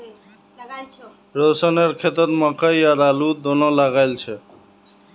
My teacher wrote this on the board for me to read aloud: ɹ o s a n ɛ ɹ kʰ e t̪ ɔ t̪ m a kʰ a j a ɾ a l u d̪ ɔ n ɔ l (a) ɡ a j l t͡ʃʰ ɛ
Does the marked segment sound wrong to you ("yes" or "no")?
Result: no